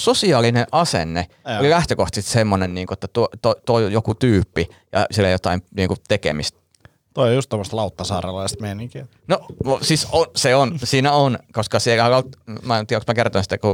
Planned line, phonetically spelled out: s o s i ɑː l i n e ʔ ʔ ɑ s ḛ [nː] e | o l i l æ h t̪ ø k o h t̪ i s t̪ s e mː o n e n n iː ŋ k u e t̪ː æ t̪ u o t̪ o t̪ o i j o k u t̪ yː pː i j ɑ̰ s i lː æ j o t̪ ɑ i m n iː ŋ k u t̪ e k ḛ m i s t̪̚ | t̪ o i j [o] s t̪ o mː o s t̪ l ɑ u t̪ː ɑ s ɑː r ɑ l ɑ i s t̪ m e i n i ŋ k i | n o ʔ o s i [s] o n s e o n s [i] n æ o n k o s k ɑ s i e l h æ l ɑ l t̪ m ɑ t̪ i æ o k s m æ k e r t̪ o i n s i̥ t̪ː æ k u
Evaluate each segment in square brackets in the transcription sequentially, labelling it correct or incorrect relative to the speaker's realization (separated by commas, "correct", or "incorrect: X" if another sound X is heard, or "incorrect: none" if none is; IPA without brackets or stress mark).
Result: correct, incorrect: u, correct, incorrect: iː